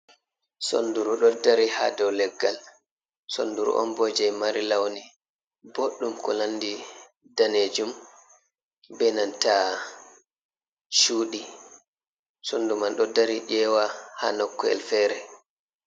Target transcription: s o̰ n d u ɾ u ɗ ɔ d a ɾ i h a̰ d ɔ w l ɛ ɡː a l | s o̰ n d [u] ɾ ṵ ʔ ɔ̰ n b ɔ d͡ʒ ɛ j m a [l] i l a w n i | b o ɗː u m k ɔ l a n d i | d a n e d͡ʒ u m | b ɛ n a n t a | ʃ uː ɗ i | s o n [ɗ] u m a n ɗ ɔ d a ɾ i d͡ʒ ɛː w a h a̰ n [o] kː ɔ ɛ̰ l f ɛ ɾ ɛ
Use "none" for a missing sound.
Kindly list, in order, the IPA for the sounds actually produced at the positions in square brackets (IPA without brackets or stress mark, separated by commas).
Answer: u, ɾ, d, ɔ